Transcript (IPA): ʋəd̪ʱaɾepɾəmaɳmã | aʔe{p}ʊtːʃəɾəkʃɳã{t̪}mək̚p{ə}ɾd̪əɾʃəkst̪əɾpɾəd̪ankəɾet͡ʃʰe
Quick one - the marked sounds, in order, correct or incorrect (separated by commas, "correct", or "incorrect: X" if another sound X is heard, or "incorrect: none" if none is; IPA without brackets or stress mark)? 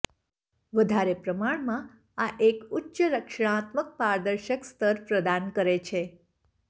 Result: incorrect: k, correct, incorrect: a